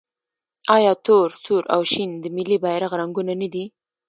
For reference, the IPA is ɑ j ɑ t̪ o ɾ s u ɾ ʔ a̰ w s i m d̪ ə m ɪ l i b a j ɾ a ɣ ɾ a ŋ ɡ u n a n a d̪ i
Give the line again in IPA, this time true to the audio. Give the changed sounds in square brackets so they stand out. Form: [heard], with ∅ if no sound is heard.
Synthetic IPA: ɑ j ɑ t̪ o ɾ s u ɾ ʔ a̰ w [ʃ] i [n] d̪ ə m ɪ l i b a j ɾ a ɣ ɾ a ŋ ɡ u n a n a d̪ i